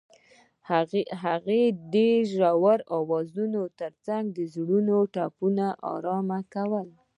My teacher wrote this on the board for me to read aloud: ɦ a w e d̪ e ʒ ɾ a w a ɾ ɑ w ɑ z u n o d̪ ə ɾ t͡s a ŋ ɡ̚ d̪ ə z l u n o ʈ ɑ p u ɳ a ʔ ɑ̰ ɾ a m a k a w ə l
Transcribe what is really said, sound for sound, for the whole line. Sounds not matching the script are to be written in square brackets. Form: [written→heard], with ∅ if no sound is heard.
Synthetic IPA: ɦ a [w→ɣ] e d̪ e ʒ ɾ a w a ɾ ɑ w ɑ z u n o [d̪→t̪] ə ɾ t͡s a ŋ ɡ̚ d̪ ə z [l→ɽ] u n o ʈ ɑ p u [ɳ→n] a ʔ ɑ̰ ɾ [a→ɑ] m a k a w ə l